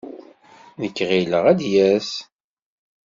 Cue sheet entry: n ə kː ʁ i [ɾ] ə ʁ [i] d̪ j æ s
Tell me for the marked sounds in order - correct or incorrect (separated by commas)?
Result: incorrect, incorrect